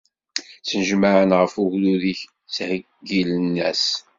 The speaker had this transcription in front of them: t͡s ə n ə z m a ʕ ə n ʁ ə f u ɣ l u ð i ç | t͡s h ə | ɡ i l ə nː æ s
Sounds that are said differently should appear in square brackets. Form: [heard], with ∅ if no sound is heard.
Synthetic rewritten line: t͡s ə n ə [ʒ] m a ʕ ə n ʁ ə f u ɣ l u ð i ç | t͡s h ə | ɡ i l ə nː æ s